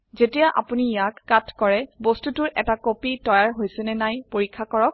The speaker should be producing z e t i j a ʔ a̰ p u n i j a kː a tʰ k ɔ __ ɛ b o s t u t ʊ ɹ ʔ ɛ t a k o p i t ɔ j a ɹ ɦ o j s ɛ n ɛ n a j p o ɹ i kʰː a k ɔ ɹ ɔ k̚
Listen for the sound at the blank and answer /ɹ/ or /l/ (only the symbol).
ɹ